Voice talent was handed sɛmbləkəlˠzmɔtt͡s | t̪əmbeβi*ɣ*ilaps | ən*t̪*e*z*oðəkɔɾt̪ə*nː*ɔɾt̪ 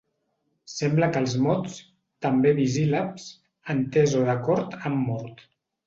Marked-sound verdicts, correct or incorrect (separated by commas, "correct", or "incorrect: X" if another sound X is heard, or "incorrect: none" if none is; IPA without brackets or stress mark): incorrect: z, correct, correct, incorrect: mː